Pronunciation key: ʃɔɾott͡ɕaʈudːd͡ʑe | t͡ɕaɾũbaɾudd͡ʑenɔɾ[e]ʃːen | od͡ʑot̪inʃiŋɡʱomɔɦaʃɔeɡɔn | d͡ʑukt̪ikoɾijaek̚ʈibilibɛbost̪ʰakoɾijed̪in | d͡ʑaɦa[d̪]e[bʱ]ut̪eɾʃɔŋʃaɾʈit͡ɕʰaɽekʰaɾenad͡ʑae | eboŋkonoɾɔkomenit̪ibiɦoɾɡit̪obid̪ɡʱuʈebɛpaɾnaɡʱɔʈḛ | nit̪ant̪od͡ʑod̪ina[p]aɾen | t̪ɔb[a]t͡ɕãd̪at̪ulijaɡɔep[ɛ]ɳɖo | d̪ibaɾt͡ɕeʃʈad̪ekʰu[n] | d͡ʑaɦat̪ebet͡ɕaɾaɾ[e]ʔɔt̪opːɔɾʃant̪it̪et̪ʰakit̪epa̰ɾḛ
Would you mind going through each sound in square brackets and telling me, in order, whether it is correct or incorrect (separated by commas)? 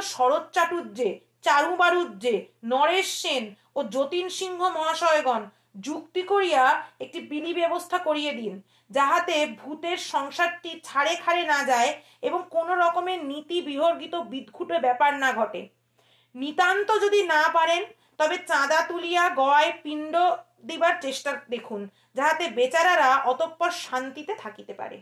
correct, incorrect, correct, correct, incorrect, incorrect, correct, incorrect